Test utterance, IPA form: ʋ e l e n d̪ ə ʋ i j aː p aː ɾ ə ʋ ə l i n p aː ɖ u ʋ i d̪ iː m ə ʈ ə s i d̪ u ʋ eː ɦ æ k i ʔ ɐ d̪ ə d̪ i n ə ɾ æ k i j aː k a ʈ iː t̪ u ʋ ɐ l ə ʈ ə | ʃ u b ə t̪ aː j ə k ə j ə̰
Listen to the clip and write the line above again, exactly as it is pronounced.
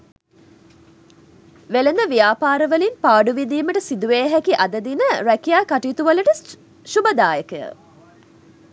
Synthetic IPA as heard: ʋ e l e n d̪ ə ʋ i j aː p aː ɾ ə ʋ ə l i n p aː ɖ u ʋ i d̪ iː m ə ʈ ə s i d̪ u ʋ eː ɦ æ k i ʔ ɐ d̪ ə d̪ i n ə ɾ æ k i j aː k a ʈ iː t̪ u ʋ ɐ l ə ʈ ə | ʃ u b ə d̪ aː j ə k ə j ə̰